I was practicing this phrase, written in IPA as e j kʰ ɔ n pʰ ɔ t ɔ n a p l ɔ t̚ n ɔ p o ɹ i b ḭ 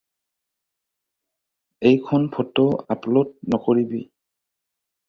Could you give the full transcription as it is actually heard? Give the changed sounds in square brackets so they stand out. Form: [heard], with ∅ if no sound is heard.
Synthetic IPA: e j kʰ ɔ n pʰ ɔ t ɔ [∅] a p l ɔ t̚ n ɔ [k] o ɹ i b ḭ